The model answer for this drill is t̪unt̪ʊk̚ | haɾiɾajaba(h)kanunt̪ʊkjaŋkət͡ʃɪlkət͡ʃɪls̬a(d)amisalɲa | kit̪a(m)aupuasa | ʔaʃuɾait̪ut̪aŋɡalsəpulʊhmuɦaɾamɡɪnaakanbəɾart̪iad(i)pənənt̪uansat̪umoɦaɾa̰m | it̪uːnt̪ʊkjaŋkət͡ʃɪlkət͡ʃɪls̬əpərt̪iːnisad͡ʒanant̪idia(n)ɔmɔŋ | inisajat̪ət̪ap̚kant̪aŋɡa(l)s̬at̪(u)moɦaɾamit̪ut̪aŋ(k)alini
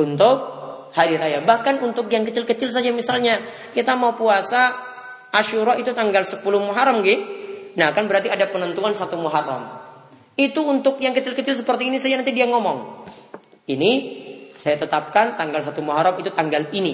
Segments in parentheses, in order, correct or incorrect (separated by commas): correct, incorrect, correct, incorrect, incorrect, correct, correct, incorrect